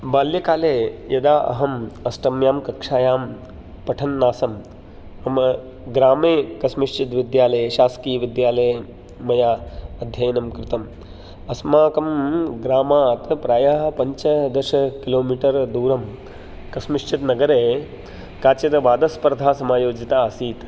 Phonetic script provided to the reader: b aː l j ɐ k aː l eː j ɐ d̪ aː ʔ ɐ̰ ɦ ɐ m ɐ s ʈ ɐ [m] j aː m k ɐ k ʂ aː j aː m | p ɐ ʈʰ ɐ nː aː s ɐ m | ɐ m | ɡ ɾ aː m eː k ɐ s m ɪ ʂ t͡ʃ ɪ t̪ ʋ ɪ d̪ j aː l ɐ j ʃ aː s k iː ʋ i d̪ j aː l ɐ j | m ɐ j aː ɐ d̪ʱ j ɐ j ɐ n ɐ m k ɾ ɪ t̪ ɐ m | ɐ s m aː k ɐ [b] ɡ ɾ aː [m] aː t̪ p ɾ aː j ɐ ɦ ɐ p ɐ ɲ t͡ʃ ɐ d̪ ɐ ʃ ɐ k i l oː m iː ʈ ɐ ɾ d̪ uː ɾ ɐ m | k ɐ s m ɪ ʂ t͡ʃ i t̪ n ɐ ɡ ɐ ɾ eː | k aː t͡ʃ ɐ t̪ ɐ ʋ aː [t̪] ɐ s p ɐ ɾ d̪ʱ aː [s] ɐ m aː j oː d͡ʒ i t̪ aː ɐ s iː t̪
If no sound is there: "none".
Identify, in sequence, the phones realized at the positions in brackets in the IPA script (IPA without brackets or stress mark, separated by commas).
m, m, m, d̪, s